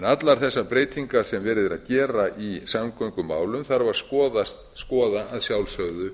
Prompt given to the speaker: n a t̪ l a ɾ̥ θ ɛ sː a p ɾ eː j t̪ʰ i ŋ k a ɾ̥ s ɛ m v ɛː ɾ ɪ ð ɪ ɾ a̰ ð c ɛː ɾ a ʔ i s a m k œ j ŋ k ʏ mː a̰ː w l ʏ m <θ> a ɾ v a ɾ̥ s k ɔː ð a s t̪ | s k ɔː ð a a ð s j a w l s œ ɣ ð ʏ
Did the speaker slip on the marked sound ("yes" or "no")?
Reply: no